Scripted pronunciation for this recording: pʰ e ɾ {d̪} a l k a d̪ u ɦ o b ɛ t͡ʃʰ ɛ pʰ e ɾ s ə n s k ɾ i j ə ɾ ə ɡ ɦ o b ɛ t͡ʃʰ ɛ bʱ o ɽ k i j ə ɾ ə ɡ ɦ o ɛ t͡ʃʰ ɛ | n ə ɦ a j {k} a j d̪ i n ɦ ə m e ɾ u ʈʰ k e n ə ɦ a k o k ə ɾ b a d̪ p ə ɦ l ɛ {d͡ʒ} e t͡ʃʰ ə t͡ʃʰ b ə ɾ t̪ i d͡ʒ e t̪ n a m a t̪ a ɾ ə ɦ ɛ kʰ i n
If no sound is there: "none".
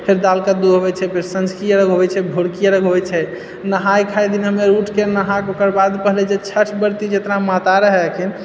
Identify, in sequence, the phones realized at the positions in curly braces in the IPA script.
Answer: d̪, kʰ, d͡ʒ

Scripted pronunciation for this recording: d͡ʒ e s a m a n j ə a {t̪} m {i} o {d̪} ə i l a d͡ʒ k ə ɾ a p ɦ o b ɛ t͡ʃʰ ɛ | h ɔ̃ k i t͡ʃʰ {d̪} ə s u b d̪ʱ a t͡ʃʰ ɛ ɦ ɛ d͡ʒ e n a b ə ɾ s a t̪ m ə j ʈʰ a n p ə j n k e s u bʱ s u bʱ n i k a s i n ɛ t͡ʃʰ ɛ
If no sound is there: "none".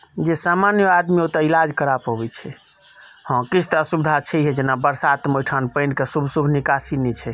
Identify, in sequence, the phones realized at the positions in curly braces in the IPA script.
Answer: d̪, i, t̪, t̪

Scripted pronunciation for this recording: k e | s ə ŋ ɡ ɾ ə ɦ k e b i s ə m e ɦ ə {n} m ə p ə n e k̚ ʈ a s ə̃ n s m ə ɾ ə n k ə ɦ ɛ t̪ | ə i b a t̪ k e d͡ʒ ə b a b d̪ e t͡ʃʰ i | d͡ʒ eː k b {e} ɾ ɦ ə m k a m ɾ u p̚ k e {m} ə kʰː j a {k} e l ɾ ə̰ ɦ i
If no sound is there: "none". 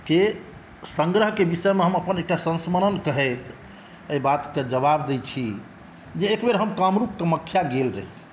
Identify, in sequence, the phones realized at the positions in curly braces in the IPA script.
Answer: none, e, m, ɡ

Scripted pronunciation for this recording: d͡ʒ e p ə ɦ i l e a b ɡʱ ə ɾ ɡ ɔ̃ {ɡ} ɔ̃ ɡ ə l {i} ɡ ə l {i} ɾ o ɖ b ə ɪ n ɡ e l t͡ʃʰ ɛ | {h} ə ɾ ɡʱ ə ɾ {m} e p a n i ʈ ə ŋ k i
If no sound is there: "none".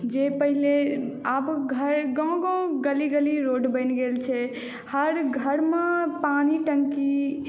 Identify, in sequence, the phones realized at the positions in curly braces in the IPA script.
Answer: ɡ, i, i, h, m

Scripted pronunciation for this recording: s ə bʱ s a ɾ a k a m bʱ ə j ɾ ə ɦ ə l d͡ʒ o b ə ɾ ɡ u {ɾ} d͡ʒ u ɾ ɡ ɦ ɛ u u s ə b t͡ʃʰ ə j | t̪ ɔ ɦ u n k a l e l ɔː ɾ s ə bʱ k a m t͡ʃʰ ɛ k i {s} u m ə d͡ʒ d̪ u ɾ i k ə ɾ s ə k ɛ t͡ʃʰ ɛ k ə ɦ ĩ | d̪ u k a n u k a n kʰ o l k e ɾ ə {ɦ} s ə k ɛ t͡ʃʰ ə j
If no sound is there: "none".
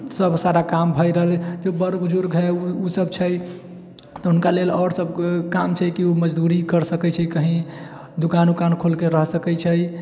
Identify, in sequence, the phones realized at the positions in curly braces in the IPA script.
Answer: none, none, ɦ

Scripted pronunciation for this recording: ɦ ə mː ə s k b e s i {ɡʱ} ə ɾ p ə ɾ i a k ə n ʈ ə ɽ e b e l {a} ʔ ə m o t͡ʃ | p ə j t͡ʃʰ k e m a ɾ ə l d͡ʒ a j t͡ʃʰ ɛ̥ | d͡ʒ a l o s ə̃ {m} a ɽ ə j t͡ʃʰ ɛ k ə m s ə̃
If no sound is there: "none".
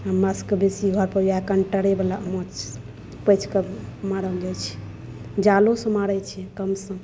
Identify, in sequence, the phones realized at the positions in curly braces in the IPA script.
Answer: ɡʱ, a, m

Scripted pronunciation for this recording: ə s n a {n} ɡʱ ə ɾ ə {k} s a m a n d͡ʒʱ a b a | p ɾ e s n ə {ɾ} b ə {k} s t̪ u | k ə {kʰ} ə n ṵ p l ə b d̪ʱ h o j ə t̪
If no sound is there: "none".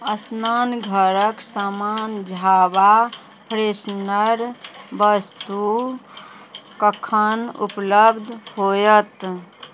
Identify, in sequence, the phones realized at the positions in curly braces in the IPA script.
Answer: n, k, ɾ, none, kʰ

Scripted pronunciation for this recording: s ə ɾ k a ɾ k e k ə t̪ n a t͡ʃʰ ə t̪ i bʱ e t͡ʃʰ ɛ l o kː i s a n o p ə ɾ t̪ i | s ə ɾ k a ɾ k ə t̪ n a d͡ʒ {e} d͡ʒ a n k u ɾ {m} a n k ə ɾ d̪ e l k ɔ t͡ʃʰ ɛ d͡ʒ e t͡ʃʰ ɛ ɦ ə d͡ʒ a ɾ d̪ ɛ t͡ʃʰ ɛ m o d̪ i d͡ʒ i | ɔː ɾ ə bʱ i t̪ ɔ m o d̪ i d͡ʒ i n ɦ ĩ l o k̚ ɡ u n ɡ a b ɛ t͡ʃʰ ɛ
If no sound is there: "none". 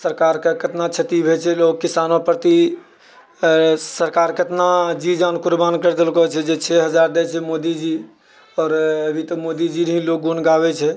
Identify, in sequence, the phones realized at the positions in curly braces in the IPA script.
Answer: i, b

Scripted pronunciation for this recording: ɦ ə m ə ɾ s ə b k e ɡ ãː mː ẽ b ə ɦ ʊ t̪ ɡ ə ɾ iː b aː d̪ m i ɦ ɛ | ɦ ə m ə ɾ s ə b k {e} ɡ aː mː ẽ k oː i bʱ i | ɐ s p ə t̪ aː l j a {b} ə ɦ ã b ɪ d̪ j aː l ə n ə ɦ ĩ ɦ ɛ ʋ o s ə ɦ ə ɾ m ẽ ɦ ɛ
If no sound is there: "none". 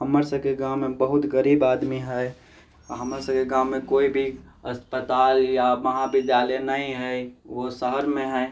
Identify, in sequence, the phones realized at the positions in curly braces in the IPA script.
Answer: e, m

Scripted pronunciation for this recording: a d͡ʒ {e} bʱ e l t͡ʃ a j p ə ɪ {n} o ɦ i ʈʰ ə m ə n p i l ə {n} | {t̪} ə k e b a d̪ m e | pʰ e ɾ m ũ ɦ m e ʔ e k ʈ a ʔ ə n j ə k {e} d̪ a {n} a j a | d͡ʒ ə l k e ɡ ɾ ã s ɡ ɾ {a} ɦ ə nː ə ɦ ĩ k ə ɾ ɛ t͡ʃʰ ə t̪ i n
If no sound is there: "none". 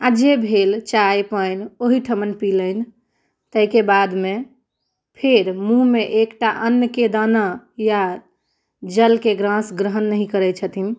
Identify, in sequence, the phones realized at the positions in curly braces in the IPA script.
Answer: e, n, n, t̪, e, n, ə

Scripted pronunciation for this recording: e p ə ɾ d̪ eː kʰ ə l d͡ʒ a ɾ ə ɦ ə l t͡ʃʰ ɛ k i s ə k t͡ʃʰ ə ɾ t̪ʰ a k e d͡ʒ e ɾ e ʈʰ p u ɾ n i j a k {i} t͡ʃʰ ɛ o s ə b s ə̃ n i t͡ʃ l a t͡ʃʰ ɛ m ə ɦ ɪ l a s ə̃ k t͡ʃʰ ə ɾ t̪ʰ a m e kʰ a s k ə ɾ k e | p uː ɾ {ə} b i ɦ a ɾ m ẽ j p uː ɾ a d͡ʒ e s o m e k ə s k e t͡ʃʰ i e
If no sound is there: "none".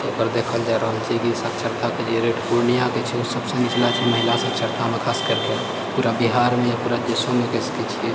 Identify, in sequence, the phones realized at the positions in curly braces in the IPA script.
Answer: e, a

